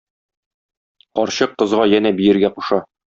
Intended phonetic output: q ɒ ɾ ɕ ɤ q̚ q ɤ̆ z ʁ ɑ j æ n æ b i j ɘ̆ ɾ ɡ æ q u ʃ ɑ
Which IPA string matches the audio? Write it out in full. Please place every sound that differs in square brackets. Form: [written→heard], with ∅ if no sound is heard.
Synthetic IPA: q ɒ ɾ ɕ ɤ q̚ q ɤ̆ z ʁ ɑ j æ n æ b i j ɘ̆ ɾ ɡ æ q u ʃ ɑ